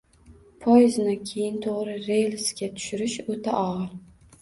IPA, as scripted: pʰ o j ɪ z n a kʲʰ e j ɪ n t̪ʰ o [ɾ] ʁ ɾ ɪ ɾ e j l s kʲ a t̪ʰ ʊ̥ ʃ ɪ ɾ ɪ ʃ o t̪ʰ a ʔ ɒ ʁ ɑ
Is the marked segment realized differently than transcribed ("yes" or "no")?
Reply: yes